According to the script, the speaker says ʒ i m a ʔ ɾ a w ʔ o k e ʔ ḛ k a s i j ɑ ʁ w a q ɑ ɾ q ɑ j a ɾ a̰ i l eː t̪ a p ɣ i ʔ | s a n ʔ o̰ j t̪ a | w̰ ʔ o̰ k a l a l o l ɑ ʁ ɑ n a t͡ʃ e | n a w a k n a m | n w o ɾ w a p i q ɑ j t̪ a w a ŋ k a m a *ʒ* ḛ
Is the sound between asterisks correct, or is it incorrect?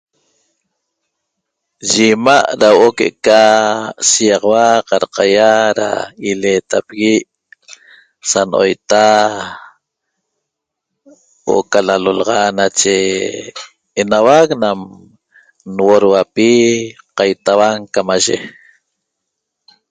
correct